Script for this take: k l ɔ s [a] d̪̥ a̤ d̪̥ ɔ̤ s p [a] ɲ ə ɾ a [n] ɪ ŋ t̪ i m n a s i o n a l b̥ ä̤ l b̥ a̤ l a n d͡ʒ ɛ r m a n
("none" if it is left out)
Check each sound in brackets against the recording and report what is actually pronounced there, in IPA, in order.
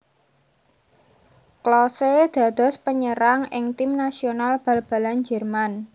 e, ə, ŋ

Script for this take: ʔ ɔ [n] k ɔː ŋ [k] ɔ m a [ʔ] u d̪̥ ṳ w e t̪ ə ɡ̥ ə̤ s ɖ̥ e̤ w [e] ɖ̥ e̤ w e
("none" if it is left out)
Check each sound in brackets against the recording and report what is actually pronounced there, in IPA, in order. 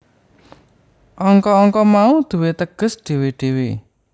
ŋ, k, none, e

